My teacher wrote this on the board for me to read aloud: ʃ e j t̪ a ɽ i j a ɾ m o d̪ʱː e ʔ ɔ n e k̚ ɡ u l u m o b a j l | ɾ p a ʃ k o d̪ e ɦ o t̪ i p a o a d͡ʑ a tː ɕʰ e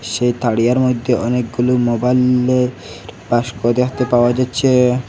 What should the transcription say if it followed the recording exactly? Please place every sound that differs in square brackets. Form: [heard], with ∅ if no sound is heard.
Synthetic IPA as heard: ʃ e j t̪ a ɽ i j a ɾ m o d̪ʱː e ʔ ɔ n e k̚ ɡ u l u m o b a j l | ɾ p a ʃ k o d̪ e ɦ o t̪ [e] p a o a d͡ʑ a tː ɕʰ e